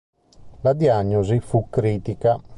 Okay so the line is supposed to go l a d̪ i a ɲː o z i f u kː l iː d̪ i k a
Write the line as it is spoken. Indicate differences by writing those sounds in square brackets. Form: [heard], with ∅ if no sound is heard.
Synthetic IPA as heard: l a d̪ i a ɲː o z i f u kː [ɾ] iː [t̪] i k a